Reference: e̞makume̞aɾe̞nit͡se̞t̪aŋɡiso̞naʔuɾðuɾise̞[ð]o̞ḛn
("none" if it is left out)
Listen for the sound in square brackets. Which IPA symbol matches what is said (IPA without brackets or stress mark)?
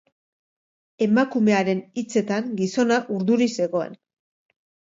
ɣ